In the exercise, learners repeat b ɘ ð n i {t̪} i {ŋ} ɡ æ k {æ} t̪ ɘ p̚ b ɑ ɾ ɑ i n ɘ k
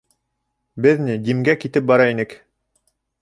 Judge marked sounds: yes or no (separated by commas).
no, no, no